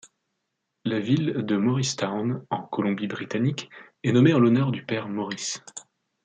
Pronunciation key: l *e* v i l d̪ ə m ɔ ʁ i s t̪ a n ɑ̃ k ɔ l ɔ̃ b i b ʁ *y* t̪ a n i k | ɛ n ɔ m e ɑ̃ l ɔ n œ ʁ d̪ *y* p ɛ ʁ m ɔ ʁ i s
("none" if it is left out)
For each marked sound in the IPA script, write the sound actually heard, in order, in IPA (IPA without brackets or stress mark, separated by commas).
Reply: a, i, y